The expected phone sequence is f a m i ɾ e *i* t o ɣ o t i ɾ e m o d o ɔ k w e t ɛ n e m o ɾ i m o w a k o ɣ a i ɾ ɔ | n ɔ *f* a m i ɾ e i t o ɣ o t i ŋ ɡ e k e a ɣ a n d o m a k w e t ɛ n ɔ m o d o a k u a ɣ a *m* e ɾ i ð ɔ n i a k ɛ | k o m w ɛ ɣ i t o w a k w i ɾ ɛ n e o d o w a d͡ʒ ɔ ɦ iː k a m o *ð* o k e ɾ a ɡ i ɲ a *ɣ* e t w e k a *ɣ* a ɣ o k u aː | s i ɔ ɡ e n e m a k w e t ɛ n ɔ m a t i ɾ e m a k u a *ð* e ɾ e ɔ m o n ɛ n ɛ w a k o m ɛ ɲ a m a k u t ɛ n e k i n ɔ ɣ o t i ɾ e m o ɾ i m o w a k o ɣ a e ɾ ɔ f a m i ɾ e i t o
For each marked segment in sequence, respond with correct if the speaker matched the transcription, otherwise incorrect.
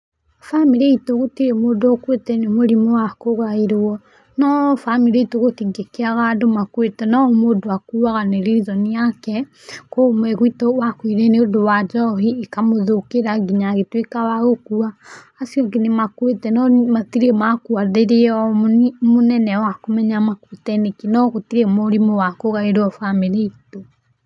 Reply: correct, correct, incorrect: n, correct, correct, incorrect: w, correct

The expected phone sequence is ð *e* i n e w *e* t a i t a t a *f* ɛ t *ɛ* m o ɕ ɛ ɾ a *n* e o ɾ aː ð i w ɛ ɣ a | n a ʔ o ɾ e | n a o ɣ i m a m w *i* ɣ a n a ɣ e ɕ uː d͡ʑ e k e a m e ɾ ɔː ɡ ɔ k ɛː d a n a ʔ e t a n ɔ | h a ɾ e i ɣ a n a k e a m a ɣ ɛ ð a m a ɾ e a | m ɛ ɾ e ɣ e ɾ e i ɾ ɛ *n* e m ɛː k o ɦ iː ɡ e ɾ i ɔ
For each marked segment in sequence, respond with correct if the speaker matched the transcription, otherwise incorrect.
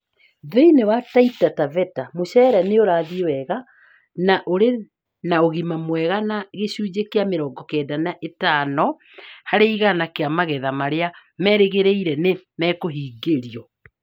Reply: correct, incorrect: a, incorrect: v, incorrect: a, correct, incorrect: ɛ, correct

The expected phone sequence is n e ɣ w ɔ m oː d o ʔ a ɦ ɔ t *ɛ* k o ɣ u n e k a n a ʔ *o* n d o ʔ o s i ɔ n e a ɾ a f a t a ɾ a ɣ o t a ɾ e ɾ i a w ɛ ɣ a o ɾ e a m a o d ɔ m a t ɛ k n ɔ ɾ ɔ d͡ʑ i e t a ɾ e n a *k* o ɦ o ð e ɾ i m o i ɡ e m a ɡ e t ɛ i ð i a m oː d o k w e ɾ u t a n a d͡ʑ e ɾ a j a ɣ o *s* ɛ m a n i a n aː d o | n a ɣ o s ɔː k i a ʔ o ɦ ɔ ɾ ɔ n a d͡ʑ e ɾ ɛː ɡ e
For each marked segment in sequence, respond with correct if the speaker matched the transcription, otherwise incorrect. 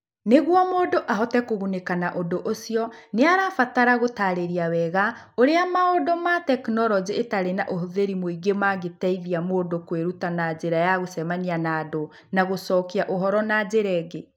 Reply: correct, correct, incorrect: ʔ, correct

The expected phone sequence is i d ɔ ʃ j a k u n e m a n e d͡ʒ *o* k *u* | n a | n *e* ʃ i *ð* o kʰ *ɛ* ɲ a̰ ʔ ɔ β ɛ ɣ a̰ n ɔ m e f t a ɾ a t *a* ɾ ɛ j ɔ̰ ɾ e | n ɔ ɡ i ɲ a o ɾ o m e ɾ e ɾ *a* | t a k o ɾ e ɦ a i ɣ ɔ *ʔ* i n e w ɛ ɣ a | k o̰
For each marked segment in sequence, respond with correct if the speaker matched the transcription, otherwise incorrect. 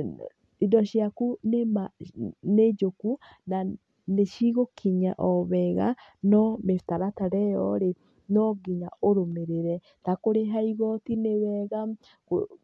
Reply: correct, correct, correct, incorrect: ɣ, incorrect: i, correct, incorrect: ɛ, incorrect: t

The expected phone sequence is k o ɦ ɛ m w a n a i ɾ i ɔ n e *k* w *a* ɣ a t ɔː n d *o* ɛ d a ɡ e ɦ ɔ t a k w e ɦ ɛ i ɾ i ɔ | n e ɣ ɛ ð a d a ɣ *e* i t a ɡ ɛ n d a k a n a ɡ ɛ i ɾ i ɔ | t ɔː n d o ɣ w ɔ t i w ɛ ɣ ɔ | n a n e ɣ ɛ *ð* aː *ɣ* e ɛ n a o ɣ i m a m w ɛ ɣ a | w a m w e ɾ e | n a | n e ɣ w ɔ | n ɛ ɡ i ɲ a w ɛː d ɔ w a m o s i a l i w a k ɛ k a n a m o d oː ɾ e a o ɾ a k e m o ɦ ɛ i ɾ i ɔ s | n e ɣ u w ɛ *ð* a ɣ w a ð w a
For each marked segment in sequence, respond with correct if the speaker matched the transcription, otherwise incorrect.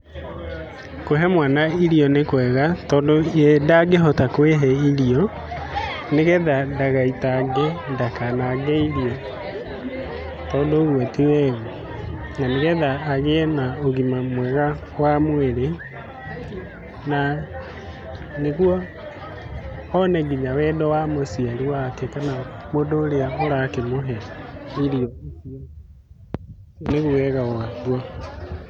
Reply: correct, incorrect: ɛ, correct, incorrect: a, correct, correct, incorrect: ɣ

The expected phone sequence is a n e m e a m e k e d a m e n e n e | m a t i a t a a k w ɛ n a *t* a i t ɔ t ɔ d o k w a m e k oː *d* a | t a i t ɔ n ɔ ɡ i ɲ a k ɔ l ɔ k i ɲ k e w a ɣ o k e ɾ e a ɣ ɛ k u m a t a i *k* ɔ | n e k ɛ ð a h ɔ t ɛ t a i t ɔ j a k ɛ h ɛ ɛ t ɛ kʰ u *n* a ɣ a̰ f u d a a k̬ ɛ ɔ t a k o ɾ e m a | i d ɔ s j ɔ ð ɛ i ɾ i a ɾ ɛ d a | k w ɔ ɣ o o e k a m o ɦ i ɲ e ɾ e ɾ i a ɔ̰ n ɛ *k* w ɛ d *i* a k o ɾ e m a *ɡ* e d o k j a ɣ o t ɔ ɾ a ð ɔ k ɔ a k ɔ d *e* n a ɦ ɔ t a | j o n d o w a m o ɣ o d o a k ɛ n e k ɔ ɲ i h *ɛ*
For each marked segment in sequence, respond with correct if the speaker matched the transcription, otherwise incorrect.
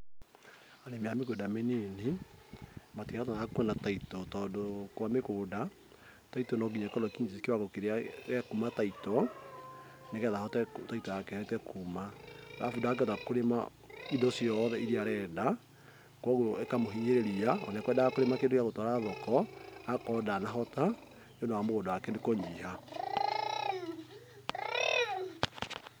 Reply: correct, correct, incorrect: t, incorrect: m, correct, incorrect: a, incorrect: k, incorrect: a, incorrect: a

